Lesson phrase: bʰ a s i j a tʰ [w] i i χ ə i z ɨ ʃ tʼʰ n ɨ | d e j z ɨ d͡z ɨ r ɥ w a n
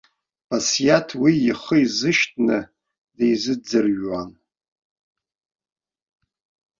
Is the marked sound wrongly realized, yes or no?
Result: no